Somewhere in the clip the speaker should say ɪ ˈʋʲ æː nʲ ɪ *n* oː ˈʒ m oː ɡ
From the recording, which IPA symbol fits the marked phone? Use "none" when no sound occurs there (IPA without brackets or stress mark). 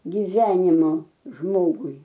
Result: m